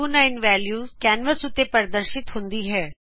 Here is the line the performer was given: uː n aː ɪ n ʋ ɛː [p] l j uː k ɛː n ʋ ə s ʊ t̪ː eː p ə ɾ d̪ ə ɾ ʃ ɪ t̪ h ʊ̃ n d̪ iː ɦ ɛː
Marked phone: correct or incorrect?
incorrect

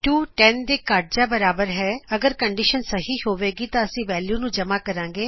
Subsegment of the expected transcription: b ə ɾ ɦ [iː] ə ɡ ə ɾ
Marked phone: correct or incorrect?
incorrect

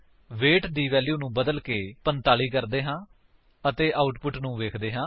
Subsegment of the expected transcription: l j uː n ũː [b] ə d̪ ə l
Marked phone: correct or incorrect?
correct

